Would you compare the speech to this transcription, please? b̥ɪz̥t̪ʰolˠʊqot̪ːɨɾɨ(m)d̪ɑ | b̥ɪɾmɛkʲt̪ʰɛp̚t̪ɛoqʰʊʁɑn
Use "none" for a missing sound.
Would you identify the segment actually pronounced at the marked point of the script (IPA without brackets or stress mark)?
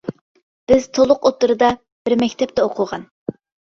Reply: none